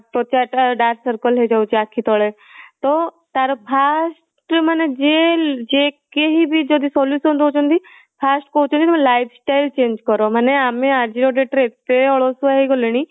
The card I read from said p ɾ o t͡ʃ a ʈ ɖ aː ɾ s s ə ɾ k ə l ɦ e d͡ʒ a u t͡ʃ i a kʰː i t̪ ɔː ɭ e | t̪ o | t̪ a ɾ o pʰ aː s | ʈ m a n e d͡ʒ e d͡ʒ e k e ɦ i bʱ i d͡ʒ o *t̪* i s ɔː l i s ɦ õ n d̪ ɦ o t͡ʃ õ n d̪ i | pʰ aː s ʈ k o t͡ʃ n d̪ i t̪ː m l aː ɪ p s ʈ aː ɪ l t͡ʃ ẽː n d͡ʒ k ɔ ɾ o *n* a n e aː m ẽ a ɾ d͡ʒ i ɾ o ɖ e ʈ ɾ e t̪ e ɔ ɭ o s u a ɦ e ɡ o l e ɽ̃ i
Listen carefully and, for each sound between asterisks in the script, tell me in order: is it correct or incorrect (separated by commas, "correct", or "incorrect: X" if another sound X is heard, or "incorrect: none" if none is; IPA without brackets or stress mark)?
incorrect: d̪, incorrect: m